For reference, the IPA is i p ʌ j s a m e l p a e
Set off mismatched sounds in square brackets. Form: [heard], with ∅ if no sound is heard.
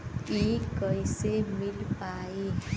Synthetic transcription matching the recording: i [k] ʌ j s [e] m [i] l p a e